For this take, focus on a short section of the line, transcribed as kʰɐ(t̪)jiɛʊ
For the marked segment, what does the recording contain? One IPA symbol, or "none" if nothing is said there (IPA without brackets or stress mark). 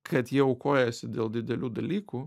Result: t̪